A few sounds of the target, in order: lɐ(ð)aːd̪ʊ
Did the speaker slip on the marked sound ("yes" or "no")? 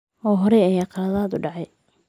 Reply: no